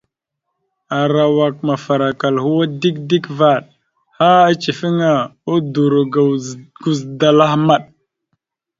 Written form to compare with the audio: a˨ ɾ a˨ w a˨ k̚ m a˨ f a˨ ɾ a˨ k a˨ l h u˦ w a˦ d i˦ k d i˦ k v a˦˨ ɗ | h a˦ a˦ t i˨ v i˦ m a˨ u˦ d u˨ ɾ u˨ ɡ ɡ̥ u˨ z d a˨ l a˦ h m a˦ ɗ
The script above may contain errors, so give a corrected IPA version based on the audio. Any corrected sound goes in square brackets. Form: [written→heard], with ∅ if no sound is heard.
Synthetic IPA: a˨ ɾ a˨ w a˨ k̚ m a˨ f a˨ ɾ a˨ k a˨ l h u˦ w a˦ d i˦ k d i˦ k v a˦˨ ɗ | h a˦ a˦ [t→t͡ʃ] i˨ [v→f] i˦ [m→ŋ] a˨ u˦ d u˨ ɾ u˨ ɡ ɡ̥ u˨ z d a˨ l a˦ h m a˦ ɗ